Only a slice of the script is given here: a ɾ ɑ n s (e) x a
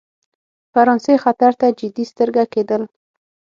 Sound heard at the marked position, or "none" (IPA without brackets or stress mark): e